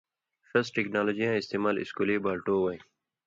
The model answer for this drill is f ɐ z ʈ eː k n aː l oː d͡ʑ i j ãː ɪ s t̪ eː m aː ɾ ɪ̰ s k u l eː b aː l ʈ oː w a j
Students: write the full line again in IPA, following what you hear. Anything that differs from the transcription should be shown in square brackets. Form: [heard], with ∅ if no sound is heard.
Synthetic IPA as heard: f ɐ [s] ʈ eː k n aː l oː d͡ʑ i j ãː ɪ s t̪ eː m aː [l] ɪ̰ s k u l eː b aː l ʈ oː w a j